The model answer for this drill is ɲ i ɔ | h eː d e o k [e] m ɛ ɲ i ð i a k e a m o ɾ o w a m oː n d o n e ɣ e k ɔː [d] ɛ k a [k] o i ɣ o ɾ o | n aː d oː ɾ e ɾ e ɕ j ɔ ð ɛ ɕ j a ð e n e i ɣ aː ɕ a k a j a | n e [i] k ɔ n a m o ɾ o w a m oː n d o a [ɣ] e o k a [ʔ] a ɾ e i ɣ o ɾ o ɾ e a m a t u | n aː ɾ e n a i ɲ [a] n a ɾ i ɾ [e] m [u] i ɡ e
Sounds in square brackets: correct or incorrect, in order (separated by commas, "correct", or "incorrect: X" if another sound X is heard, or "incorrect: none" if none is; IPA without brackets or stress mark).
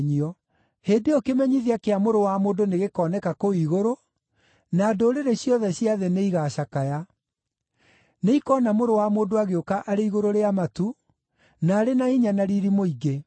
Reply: correct, incorrect: n, correct, correct, correct, correct, correct, incorrect: i, incorrect: o